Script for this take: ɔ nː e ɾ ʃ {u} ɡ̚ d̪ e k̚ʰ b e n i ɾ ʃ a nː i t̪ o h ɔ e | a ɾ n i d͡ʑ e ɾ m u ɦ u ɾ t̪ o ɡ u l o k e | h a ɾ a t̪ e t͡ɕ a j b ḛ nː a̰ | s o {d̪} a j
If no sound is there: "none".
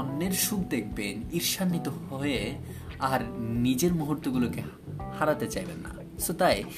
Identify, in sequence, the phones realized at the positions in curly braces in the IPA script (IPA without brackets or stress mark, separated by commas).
u, t̪